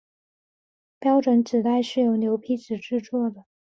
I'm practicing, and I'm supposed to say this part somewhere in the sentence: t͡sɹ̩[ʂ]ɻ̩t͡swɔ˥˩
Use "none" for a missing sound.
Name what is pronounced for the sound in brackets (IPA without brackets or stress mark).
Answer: ʈ͡ʂ